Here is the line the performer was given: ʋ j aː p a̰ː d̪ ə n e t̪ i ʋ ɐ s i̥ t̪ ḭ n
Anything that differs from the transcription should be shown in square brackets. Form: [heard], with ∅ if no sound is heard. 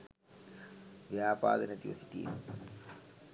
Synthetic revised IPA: ʋ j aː p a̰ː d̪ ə n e t̪ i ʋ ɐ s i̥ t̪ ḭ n